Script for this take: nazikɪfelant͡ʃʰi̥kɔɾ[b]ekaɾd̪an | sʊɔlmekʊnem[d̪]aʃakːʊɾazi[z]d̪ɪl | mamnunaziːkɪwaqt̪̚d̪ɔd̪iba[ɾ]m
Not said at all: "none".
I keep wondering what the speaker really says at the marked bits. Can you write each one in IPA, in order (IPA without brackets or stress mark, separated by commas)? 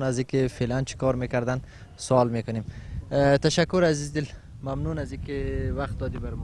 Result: m, t̪, z, ɾ